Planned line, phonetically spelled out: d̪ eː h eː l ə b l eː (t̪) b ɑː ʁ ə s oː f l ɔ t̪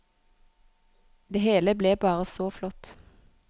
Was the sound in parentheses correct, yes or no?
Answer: no